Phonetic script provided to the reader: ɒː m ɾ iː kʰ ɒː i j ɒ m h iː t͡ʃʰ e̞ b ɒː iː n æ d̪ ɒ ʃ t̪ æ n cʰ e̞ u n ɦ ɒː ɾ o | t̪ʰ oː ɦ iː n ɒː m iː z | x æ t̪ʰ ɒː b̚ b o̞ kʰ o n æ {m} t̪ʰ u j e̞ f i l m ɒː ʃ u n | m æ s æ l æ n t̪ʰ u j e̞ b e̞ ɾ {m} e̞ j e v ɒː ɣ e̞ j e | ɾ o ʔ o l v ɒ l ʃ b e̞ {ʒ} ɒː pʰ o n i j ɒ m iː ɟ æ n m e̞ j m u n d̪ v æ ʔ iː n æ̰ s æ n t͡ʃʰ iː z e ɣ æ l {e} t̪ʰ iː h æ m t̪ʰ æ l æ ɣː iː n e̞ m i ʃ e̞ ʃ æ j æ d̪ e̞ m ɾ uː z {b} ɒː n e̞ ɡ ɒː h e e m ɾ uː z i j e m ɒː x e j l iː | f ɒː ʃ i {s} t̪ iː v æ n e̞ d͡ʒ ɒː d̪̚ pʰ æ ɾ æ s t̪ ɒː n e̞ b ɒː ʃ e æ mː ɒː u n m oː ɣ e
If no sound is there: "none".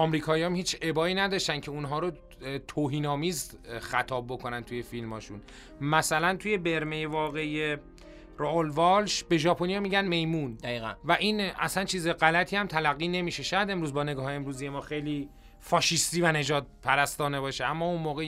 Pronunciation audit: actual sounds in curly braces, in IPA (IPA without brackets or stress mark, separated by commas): n, m, ʒ, æ, b, s